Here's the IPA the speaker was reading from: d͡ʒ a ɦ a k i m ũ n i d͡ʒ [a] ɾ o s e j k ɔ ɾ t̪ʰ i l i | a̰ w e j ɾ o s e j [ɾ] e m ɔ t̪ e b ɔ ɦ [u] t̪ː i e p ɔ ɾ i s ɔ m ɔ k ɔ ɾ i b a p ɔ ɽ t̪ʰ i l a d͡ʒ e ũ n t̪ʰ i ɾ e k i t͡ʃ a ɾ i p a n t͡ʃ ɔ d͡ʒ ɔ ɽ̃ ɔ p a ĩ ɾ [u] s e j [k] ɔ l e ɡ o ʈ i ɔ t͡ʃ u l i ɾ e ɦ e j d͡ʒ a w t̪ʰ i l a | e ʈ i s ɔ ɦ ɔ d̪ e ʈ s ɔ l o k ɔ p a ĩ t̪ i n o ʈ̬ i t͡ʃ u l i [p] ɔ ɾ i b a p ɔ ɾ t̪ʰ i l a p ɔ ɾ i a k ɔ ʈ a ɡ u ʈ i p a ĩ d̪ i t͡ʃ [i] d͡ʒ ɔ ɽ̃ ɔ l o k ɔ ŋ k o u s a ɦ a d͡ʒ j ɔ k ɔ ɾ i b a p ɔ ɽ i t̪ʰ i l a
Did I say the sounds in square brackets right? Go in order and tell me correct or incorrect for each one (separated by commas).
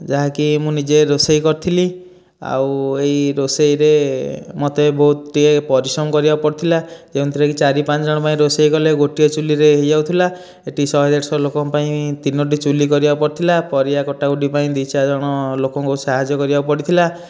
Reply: incorrect, correct, correct, incorrect, correct, incorrect, incorrect